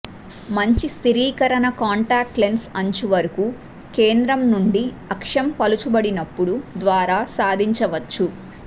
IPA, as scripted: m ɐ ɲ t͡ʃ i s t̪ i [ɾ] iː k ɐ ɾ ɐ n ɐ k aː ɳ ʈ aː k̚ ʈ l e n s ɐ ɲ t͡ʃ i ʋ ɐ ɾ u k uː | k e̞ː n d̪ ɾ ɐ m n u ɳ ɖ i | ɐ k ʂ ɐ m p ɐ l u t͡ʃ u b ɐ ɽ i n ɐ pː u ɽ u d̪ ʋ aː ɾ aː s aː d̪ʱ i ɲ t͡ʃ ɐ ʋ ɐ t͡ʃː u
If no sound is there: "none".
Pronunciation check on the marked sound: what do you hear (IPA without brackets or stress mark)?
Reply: ɾ